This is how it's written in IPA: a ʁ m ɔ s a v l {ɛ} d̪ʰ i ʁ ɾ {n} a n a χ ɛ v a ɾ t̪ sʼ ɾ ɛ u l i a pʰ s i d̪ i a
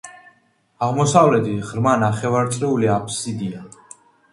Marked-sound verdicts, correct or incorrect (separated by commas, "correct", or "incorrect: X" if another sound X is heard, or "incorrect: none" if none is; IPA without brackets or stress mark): correct, incorrect: m